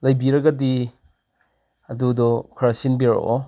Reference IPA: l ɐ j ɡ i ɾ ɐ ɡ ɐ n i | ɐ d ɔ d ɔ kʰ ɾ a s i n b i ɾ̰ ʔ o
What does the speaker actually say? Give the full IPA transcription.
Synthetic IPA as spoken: l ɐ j b i ɾ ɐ ɡ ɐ d i | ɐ d u d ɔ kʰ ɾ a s i n b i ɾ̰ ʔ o